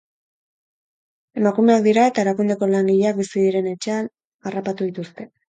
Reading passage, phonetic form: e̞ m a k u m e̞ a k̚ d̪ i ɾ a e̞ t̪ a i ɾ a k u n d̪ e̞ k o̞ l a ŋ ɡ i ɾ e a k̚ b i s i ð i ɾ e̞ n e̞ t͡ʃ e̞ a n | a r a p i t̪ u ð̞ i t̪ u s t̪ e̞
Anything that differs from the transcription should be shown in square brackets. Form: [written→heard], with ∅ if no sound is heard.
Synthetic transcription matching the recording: e̞ m a k u m e̞ a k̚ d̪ i ɾ a e̞ t̪ a [i→e] ɾ a k u n d̪ e̞ k o̞ l a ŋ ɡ i [ɾ→ʎ] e a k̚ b i s i ð i ɾ e̞ n e̞ t͡ʃ e̞ a n | a r a p [i→a] t̪ u ð̞ i t̪ u s t̪ e̞